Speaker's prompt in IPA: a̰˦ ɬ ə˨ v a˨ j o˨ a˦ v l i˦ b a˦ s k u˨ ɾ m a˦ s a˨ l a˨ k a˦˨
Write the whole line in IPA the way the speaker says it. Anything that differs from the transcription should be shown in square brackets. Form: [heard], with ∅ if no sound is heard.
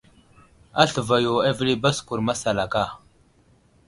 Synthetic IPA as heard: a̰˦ ɬ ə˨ v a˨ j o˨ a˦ v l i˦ b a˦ s k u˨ ɾ m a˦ s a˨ l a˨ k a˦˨